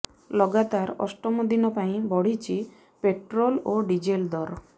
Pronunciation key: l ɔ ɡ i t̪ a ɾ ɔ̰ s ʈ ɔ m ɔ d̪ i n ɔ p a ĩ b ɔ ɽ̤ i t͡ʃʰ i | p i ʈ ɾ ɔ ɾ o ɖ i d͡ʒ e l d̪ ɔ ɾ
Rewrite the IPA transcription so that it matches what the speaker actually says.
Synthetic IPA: l ɔ ɡ a t̪ a ɾ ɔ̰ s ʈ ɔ m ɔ d̪ i n ɔ p a ĩ b ɔ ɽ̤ i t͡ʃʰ i | p e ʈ ɾ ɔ l o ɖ i d͡ʒ e l d̪ ɔ ɾ